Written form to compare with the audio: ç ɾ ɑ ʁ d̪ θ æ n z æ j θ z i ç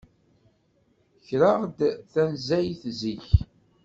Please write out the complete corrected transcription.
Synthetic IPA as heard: ç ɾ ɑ ʁ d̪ θ æ n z æ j θ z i ç